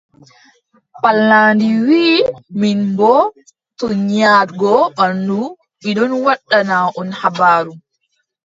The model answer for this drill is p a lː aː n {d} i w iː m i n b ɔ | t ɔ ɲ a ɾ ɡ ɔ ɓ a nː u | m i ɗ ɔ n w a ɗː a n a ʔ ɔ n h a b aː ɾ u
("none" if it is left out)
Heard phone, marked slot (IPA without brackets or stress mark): d